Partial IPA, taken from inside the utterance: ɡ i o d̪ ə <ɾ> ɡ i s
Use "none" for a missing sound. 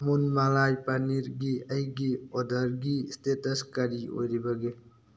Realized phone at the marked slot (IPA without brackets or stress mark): ɾ